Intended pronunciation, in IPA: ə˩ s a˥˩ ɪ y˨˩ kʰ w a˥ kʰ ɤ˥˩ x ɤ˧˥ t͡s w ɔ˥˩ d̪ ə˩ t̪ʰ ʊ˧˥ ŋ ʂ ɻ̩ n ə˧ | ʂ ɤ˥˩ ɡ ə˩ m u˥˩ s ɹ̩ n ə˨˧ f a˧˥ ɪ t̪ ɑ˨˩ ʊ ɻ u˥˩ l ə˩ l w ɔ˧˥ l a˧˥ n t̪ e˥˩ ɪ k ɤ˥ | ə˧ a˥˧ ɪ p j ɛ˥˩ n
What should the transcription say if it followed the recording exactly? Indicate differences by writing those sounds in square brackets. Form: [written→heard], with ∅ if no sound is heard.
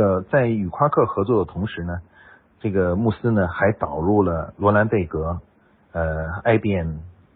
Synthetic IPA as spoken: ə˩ [s→t͡s] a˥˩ ɪ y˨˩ kʰ w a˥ kʰ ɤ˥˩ x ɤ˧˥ t͡s w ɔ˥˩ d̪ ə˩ t̪ʰ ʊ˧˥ ŋ ʂ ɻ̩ n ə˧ | [ʂ→ʈ͡ʂ] ɤ˥˩ ɡ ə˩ m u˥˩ s ɹ̩ n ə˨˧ [f→x] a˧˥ ɪ t̪ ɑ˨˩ ʊ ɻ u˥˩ l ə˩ l w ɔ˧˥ l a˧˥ n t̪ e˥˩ ɪ k [ɤ˥→ɤ˧˥] | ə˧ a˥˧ ɪ p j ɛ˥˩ n